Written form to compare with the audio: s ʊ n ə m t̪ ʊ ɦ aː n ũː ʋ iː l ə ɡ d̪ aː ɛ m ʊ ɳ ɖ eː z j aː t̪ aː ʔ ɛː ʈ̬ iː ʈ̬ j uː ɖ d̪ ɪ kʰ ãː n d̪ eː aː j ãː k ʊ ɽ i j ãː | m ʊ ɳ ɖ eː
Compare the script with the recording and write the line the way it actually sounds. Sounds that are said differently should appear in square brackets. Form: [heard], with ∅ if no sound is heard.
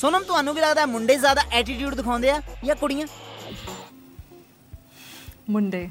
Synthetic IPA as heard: s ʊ n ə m t̪ ʊ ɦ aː n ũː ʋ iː l ə ɡ d̪ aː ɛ m ʊ ɳ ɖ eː z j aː [d̪] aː ʔ ɛː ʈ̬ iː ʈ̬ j uː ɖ d̪ ɪ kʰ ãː n d̪ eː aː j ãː k ʊ ɽ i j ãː | m ʊ ɳ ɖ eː